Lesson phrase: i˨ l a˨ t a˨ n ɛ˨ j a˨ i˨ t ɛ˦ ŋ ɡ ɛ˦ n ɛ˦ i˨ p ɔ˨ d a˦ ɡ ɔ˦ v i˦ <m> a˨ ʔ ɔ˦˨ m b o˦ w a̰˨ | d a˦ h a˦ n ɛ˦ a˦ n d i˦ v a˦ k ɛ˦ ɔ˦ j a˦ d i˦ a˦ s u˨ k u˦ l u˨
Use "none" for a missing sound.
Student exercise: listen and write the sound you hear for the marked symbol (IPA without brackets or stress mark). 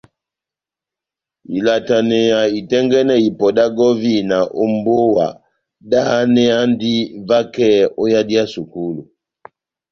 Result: n